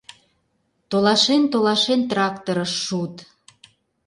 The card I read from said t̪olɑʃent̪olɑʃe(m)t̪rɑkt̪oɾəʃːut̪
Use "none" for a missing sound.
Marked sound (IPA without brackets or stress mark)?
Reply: n